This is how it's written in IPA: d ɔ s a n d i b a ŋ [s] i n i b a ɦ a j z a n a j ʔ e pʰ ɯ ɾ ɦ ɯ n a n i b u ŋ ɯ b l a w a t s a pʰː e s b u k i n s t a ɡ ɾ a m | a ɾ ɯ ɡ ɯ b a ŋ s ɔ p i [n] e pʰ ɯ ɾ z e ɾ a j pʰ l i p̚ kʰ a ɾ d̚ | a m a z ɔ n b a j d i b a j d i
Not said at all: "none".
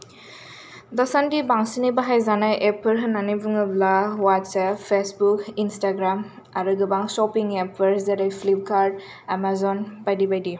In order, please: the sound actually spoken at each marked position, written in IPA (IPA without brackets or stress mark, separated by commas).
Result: s, ŋ